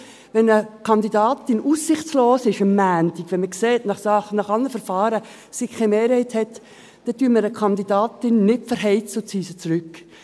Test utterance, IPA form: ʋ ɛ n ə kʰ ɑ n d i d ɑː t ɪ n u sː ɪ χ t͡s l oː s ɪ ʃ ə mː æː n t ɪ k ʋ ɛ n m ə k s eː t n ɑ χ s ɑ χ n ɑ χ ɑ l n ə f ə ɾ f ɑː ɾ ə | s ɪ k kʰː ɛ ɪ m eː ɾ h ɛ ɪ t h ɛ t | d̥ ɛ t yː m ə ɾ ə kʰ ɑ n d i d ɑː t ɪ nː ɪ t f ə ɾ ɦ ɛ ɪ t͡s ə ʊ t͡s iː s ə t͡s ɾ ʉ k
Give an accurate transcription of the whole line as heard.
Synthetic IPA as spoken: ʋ ɛ n ə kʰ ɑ n d i d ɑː t ɪ n u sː ɪ χ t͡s l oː s ɪ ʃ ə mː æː n t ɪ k ʋ ɛ n m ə k s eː t n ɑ χ s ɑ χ n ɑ χ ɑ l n ə f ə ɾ f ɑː ɾ ə | s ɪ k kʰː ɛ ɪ m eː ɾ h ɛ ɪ t h ɛ t | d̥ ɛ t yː m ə ɾ ə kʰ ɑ n d i d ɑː t ɪ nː ɪ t f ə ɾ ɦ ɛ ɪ t͡s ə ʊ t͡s iː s ə t͡s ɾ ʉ k